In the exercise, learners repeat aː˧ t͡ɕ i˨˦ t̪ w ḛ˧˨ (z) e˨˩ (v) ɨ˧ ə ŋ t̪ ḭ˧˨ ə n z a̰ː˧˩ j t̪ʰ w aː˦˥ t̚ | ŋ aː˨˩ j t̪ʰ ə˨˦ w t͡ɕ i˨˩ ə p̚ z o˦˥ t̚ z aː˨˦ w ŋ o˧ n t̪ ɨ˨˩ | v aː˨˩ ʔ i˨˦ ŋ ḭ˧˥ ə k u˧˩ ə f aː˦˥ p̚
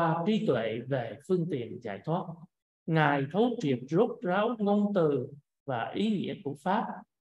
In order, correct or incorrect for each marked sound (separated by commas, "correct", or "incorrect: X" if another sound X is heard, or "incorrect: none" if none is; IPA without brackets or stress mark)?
incorrect: v, incorrect: f